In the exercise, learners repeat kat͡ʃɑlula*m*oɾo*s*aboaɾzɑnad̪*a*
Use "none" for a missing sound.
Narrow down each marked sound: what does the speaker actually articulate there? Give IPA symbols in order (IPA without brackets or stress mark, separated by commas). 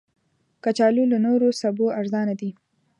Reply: n, s, i